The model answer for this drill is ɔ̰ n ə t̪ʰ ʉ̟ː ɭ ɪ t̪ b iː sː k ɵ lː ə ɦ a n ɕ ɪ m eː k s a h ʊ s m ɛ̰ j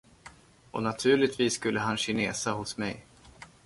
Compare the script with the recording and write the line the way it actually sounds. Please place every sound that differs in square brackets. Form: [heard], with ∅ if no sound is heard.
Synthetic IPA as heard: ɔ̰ n [a] t̪ʰ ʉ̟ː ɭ ɪ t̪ [v] iː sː k ɵ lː ə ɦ a n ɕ ɪ [n] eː [∅] s a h ʊ s m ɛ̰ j